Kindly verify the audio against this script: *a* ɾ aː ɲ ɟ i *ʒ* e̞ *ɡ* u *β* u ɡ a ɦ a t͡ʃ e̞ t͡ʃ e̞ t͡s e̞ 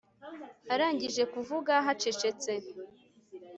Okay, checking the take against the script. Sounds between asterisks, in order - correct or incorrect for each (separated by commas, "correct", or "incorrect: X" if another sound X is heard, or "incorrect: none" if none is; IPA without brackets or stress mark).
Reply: correct, correct, incorrect: k, incorrect: v